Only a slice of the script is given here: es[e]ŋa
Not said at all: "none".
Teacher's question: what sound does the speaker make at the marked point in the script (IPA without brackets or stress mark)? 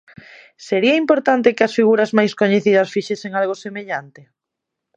e